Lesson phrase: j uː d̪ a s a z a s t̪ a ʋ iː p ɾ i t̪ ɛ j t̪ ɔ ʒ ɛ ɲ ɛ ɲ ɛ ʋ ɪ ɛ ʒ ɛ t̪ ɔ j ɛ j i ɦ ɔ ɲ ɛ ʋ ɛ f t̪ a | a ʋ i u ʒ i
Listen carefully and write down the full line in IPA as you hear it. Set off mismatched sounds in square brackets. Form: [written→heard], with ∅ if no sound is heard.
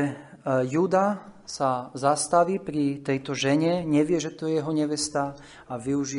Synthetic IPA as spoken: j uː d̪ a s a z a s t̪ a ʋ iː p ɾ i t̪ ɛ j t̪ ɔ ʒ ɛ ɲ ɛ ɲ ɛ ʋ ɪ ɛ ʒ ɛ t̪ ɔ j ɛ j [i→ɛ] ɦ ɔ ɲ ɛ ʋ ɛ [f→s] t̪ a | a ʋ i u ʒ i